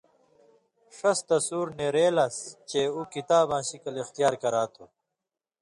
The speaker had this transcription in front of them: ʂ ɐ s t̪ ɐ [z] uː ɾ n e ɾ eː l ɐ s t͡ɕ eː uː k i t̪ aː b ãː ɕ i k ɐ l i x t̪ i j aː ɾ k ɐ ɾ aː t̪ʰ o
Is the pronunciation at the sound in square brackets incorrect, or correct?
incorrect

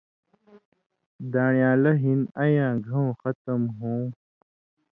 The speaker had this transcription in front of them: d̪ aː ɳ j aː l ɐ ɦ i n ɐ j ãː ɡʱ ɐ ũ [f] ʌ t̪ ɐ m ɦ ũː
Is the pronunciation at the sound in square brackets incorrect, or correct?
incorrect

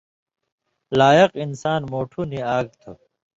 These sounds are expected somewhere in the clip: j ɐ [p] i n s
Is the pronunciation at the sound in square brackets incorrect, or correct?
incorrect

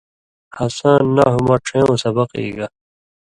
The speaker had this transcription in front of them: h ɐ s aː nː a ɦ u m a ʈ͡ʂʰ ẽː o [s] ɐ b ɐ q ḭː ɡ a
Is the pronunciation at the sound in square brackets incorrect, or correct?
correct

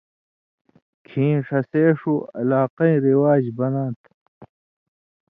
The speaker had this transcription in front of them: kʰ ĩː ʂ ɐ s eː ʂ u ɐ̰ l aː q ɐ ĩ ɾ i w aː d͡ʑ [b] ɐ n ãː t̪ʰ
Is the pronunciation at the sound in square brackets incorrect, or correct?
correct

